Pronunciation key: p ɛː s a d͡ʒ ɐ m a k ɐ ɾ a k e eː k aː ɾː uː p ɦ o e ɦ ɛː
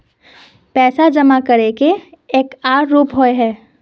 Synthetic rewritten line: p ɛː s a d͡ʒ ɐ m a k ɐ ɾ e k e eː k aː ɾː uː p ɦ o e ɦ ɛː